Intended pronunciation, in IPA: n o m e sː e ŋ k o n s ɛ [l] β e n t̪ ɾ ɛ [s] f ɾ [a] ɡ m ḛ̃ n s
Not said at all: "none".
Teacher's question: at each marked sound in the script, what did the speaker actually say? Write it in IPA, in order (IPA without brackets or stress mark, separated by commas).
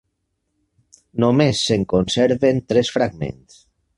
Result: ɾ, s, a